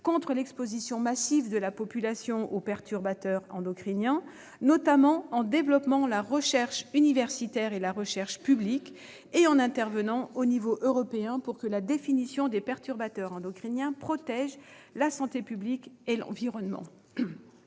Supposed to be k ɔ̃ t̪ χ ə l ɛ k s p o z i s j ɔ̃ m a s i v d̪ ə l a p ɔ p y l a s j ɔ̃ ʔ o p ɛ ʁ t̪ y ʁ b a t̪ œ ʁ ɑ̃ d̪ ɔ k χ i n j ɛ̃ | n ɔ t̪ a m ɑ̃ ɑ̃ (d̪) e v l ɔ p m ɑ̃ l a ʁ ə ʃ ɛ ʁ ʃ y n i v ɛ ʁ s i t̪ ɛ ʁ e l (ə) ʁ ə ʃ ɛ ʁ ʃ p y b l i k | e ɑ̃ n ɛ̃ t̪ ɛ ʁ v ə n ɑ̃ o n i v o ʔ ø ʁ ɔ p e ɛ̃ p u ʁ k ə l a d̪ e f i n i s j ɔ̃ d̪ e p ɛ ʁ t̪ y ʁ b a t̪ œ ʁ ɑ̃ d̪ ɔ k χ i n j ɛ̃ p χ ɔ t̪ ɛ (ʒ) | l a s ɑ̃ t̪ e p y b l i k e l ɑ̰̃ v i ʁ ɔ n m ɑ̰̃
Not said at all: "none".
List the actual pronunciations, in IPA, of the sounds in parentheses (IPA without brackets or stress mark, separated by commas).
d̪, a, ʒ